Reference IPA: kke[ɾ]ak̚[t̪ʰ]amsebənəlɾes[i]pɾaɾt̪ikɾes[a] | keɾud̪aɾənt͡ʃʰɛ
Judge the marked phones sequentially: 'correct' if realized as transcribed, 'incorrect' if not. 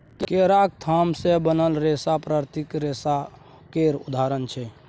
correct, correct, incorrect, correct

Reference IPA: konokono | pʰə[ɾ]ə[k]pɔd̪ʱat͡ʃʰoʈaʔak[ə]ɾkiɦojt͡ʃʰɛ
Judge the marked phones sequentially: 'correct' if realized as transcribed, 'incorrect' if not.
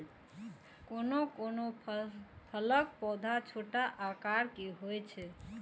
incorrect, correct, incorrect

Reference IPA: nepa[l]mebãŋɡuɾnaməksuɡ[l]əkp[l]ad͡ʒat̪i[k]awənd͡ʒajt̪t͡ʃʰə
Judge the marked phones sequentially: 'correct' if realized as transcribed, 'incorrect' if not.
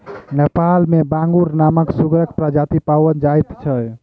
correct, incorrect, incorrect, incorrect

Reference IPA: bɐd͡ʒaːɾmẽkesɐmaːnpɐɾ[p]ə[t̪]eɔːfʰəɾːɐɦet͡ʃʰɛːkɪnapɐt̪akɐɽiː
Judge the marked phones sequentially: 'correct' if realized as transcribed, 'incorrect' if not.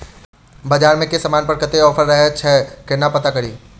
incorrect, correct

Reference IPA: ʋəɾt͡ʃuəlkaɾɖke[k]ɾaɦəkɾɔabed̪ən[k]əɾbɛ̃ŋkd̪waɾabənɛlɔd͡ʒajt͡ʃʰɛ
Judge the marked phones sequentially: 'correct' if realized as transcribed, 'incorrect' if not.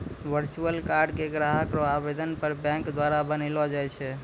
incorrect, incorrect

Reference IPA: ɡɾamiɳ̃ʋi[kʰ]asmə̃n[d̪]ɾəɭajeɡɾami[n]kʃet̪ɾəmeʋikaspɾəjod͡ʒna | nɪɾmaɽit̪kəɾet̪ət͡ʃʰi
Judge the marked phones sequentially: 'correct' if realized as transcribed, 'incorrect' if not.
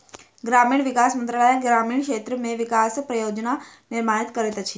incorrect, incorrect, incorrect

